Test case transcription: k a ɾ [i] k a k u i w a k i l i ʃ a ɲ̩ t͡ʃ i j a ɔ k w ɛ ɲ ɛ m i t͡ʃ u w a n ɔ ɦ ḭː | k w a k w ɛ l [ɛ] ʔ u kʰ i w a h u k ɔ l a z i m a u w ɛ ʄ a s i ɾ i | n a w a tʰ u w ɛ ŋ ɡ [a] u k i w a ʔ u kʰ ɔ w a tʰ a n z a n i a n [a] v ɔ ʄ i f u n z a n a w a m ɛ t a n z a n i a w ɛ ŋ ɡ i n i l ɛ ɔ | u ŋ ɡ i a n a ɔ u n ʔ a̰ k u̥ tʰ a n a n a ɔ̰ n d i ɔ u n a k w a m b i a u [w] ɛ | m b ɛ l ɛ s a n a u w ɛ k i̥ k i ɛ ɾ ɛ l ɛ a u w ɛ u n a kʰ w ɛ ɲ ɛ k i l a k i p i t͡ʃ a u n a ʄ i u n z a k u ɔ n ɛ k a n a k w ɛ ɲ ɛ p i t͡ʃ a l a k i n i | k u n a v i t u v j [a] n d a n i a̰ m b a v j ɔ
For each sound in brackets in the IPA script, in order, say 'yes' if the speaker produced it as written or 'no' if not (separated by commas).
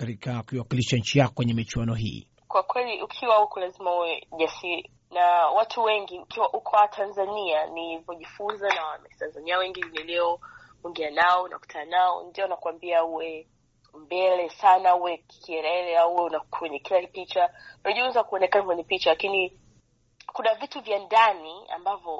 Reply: yes, no, no, no, yes, yes